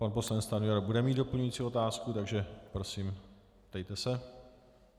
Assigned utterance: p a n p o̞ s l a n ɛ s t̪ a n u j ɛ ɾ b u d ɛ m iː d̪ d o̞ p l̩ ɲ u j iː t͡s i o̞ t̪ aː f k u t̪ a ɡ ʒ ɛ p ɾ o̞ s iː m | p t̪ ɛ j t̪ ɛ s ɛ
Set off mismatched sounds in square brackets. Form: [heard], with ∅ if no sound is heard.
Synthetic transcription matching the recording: p a n p o̞ s l a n ɛ [t͡s] t̪ a n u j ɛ ɾ b u d ɛ m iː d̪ d o̞ p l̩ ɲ u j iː t͡s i o̞ t̪ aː [s] k u t̪ a ɡ ʒ ɛ p ɾ o̞ s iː m | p t̪ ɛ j t̪ ɛ s ɛ